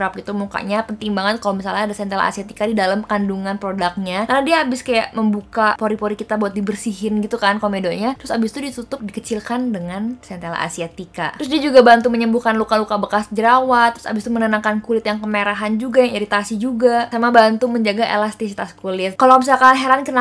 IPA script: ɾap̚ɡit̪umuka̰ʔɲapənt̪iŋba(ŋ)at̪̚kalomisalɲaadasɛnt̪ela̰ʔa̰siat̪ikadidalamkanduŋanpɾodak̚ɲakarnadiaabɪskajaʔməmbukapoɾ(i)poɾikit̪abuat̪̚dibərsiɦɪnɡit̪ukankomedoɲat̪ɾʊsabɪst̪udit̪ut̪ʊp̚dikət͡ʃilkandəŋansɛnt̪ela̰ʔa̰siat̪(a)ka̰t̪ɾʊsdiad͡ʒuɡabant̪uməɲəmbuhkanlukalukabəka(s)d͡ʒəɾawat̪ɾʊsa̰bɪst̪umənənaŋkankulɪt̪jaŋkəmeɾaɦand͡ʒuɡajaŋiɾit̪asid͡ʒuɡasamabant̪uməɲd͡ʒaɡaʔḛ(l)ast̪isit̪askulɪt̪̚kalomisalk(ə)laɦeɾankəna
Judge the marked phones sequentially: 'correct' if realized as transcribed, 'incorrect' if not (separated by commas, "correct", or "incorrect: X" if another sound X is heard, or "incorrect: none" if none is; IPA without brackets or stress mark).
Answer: correct, correct, incorrect: i, correct, correct, incorrect: a